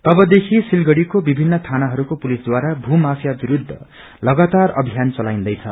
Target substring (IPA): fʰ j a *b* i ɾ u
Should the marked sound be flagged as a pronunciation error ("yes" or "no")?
no